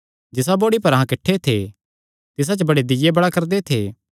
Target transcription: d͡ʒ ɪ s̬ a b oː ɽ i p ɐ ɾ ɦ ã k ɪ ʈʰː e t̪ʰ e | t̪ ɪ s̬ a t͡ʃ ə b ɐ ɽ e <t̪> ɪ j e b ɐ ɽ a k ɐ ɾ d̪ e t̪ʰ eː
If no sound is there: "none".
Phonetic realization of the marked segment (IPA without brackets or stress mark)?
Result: d̪